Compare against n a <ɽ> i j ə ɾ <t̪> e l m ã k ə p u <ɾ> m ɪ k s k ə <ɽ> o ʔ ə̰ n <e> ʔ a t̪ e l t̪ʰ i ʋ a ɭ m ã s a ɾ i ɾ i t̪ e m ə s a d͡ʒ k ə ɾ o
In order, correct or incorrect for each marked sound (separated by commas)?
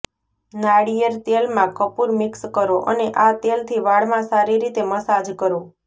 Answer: correct, correct, correct, incorrect, correct